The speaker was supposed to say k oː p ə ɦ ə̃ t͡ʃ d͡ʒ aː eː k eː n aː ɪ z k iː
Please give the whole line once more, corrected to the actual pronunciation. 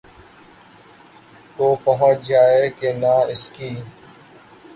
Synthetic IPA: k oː p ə ɦ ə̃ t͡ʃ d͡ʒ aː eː k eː n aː ɪ s k iː